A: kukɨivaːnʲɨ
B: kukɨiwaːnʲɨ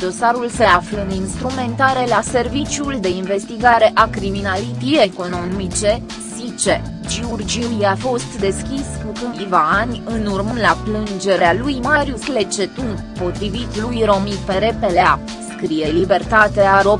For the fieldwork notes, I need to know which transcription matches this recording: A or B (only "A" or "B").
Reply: A